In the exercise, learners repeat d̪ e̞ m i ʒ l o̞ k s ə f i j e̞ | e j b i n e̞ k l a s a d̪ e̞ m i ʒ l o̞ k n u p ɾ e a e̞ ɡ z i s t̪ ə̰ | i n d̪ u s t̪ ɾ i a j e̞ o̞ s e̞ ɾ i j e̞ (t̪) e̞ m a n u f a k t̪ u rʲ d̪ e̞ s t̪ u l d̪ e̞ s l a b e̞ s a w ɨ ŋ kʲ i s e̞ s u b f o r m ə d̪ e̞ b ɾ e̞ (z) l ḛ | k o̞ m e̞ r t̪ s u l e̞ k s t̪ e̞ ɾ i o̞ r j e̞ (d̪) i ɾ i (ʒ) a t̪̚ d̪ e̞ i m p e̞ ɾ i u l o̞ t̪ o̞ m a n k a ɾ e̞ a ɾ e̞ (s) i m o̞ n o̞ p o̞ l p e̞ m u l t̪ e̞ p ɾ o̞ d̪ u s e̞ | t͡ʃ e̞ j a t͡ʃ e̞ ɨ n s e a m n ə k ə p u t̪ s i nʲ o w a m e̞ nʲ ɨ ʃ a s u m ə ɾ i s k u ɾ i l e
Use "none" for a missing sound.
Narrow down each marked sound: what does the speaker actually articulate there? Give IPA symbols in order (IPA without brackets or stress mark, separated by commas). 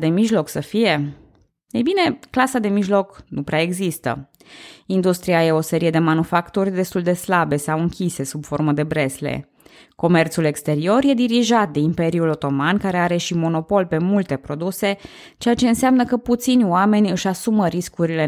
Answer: d̪, s, d̪, ʒ, ʃ